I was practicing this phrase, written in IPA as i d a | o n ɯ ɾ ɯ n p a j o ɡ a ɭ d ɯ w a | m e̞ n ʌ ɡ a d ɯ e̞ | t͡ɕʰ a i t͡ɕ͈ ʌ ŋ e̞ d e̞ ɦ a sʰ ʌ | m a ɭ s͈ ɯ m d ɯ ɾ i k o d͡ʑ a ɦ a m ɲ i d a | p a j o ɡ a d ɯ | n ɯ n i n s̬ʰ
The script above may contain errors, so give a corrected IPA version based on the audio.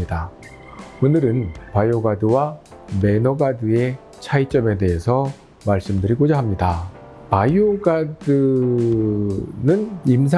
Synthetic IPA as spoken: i d a | o n ɯ ɾ ɯ n p a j o ɡ a d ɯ w a | m e̞ n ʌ ɡ a d ɯ e̞ | t͡ɕʰ a i t͡ɕ͈ ʌ m e̞ d e̞ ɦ e sʰ ʌ | m a ɭ s͈ ɯ m d ɯ ɾ i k o d͡ʑ a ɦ a m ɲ i d a | p a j o ɡ a d ɯ | n ɯ n i m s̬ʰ

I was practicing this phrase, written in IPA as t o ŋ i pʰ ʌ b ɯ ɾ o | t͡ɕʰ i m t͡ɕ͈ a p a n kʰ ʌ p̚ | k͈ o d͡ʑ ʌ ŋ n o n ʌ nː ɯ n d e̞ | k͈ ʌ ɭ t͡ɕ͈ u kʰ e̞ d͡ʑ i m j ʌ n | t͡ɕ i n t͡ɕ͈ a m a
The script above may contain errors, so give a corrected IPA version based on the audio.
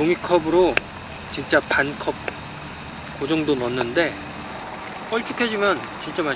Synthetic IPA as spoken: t o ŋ i kʰ ʌ b ɯ ɾ o | t͡ɕ i n t͡ɕ͈ a p a n kʰ ʌ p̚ | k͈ o d͡ʑ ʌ ŋ d o n ʌ nː ɯ n d e̞ | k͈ ʌ ɭ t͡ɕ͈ u kʰ e̞ d͡ʑ i m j ʌ n | t͡ɕ i n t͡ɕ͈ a m a

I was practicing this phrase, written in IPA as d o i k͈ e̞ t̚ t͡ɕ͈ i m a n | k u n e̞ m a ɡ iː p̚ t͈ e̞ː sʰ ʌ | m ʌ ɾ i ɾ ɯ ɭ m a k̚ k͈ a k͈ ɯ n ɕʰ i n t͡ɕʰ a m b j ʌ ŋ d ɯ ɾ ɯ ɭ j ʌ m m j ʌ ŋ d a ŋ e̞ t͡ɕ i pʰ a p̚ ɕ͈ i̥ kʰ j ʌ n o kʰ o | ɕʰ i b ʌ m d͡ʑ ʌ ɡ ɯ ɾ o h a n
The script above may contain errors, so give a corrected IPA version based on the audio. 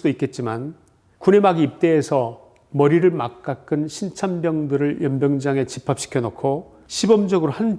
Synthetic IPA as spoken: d o i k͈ e̞ t̚ t͡ɕ͈ i m a n | k u n e̞ m a ɡ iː p̚ t͈ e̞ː sʰ ʌ | m ʌ ɾ i ɾ ɯ ɭ m a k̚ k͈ a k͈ ɯ n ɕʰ i n t͡ɕʰ a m b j ʌ ŋ d ɯ ɾ ɯ ɭ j ʌ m b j ʌ ŋ d͡ʑ a ŋ e̞ t͡ɕ i pʰ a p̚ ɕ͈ i̥ kʰ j ʌ n o kʰ o | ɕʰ i b ʌ m d͡ʑ ʌ ɡ ɯ ɾ o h a n

